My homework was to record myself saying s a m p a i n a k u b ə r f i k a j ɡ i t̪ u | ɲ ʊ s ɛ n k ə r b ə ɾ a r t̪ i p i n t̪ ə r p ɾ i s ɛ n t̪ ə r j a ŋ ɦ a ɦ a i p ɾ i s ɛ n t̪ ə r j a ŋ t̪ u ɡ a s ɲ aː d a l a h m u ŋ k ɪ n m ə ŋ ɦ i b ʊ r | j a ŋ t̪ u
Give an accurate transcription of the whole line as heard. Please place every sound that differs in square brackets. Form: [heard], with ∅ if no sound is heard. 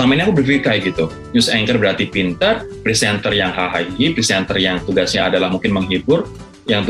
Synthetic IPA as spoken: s a m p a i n a k u b ə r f i k a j ɡ i t̪ u | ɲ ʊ s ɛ [ŋ] k ə r b ə ɾ a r t̪ i p i n t̪ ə r p ɾ i s ɛ n t̪ ə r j a ŋ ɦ a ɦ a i p ɾ i s ɛ n t̪ ə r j a ŋ t̪ u ɡ a s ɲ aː d a l a h m u ŋ k ɪ n m ə ŋ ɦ i b ʊ r | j a ŋ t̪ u